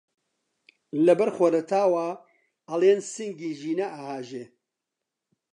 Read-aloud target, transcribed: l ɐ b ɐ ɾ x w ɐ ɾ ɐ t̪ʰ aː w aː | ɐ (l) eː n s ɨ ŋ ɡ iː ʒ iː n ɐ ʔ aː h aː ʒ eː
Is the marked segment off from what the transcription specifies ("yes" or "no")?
no